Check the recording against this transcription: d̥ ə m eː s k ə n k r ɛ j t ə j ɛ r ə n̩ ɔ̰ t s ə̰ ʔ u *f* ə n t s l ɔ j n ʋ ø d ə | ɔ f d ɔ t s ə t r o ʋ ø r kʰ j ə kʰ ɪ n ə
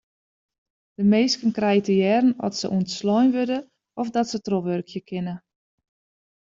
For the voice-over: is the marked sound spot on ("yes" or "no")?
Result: no